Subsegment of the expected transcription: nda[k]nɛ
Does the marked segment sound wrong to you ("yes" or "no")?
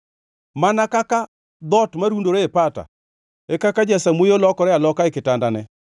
yes